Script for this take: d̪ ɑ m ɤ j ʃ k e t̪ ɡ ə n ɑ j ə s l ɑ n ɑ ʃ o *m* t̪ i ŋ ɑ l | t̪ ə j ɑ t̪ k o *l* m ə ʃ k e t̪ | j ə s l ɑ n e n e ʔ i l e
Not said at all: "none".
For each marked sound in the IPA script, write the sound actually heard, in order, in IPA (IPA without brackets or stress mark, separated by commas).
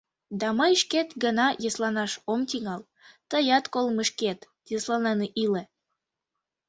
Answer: m, l